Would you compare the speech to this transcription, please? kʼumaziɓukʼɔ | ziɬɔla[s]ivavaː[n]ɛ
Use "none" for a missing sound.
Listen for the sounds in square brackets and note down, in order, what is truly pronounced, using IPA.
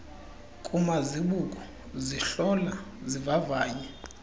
z, ɲ

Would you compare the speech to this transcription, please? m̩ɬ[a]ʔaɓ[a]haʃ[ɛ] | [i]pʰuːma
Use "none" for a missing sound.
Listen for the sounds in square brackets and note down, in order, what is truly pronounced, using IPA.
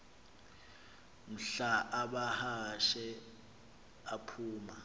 a, a, ɛ, a

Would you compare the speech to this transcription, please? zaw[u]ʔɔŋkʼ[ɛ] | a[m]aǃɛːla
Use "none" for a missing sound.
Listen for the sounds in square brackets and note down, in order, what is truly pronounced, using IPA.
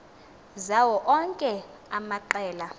ɔ, ɛ, m

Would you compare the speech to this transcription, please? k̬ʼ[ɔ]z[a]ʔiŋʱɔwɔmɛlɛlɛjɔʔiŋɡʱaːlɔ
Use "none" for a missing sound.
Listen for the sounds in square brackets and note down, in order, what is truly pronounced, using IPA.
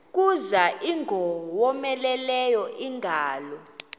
u, a

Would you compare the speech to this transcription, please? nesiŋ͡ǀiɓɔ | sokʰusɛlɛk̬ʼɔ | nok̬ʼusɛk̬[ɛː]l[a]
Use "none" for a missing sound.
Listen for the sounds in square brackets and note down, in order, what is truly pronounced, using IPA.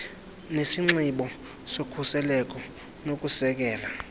ɛː, a

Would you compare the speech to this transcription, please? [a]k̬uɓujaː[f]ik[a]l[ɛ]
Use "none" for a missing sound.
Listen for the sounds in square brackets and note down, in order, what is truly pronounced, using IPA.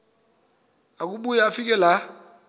a, f, ɛ, a

